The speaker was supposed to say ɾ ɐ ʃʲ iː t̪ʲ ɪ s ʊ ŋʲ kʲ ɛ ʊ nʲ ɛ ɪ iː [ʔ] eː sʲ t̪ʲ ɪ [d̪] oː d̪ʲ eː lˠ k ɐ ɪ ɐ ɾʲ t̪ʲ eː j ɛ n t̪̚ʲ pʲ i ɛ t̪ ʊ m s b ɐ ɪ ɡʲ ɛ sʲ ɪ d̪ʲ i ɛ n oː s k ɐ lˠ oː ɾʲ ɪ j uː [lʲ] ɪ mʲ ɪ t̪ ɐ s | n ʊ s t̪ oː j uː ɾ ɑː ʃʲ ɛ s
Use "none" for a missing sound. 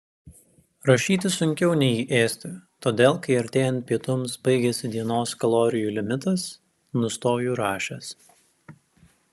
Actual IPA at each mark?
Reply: ʔ, t̪, lʲ

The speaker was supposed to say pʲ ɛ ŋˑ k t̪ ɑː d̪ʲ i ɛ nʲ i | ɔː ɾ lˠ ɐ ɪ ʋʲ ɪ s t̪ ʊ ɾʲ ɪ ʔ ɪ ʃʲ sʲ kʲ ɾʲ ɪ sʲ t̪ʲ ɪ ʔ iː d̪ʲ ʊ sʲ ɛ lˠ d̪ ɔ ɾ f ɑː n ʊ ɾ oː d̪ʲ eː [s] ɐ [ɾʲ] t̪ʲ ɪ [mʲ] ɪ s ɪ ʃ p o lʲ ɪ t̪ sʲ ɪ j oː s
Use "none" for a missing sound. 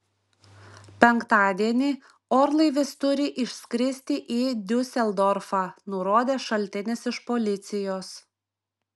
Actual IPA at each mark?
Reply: ʃ, lʲ, nʲ

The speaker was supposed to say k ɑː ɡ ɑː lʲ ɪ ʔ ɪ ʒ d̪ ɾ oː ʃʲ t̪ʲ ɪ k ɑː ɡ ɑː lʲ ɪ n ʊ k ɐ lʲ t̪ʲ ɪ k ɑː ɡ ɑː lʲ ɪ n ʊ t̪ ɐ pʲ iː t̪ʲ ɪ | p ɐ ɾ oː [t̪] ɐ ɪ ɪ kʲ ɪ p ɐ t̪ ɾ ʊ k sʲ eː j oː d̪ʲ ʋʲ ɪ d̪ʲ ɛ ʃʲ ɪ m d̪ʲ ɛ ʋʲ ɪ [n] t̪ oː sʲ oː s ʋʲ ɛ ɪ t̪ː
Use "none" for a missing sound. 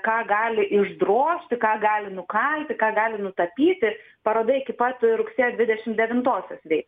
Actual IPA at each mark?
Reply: d̪, n

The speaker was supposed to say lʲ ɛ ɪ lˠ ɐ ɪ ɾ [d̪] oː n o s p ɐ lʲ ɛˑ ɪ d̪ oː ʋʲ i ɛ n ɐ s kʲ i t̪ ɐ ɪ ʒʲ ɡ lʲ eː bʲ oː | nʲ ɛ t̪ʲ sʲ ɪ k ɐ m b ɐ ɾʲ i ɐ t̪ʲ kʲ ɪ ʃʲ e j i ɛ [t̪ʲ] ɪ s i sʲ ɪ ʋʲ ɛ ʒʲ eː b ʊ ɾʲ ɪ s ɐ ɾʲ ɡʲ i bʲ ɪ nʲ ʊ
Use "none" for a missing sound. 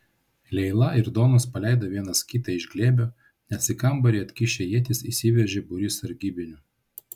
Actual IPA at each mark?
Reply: d̪, t̪ʲ

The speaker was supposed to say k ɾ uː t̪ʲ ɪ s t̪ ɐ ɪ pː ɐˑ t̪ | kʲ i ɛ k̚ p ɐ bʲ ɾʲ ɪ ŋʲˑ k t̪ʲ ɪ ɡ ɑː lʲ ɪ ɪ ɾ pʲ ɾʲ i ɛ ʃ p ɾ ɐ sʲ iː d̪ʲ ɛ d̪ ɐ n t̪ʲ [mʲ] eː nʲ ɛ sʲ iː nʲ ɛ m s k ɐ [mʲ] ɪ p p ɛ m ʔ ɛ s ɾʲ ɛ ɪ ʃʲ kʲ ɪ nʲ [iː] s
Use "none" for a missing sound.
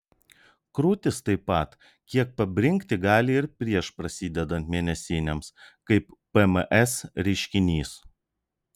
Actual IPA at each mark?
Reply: mʲ, none, iː

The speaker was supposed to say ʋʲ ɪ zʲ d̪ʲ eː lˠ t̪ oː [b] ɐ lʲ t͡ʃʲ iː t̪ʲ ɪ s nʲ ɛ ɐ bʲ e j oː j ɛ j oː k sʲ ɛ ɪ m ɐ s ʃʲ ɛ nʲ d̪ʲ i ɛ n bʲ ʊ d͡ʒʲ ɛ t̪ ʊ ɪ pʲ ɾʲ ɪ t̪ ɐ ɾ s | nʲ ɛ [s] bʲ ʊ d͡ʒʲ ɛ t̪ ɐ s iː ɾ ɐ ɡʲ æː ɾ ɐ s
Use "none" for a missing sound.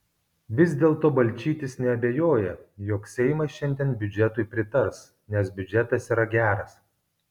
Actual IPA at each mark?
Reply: b, s

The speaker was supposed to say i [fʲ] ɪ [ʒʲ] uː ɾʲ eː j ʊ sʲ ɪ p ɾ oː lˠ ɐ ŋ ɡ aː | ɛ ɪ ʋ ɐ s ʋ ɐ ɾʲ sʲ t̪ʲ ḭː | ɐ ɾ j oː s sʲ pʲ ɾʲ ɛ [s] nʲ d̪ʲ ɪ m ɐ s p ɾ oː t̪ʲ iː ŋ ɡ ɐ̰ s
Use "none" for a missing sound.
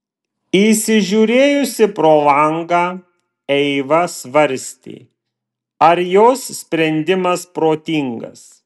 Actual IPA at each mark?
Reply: sʲ, ʒʲ, none

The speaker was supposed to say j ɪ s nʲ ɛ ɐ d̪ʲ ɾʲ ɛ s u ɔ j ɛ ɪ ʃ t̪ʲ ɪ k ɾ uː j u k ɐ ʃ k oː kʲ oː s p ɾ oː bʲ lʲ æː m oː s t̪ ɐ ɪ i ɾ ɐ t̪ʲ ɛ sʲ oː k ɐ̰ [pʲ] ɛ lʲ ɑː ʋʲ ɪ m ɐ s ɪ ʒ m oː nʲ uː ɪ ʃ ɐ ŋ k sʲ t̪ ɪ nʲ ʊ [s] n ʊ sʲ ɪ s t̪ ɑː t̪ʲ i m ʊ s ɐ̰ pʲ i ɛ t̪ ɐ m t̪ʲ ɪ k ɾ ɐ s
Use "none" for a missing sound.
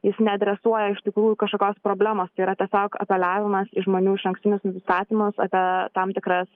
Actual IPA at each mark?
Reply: pʲ, s

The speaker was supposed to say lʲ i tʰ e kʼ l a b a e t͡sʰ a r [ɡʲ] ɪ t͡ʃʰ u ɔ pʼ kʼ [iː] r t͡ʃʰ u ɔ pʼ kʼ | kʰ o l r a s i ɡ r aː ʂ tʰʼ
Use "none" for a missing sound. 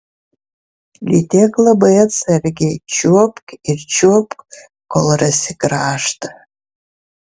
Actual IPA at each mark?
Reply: ɡʲ, i

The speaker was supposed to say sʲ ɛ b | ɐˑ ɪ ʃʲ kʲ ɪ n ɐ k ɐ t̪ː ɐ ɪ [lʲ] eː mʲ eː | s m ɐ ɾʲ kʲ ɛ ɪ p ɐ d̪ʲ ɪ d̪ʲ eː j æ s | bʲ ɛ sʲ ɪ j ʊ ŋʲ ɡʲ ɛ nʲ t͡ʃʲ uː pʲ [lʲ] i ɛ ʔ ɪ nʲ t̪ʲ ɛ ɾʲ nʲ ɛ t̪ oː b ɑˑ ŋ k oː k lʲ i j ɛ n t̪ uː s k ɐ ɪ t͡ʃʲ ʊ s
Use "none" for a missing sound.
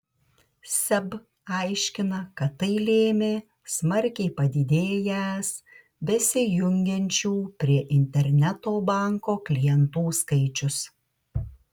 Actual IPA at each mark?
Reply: lʲ, ɾʲ

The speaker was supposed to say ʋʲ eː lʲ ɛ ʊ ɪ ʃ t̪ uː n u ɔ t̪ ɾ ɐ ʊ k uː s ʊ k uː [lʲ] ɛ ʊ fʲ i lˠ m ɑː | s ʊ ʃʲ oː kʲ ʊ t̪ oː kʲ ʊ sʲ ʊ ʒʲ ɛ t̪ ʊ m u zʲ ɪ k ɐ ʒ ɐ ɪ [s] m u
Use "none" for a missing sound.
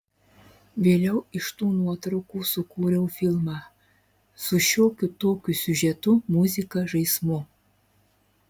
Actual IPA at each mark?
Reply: ɾʲ, s

